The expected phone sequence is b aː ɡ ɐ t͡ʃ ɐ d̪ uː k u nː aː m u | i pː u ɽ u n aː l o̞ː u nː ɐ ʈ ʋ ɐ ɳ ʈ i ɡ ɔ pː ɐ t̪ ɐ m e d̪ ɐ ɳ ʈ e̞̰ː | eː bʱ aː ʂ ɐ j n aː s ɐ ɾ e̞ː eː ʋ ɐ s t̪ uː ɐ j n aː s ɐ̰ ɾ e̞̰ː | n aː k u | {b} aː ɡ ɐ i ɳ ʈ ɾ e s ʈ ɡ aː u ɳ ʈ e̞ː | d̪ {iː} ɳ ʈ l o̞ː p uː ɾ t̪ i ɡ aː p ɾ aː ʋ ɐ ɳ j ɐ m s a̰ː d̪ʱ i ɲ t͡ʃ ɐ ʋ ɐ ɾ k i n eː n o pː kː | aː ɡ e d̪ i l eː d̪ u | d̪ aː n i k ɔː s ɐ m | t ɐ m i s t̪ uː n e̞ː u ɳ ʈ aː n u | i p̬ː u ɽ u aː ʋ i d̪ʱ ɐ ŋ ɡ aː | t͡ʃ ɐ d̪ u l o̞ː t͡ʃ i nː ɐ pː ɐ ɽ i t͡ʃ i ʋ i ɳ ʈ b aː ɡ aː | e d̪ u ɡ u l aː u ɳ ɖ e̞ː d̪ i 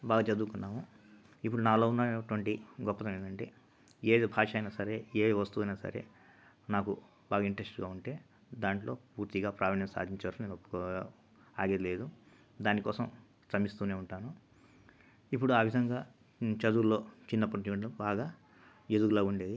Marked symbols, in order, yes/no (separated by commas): yes, no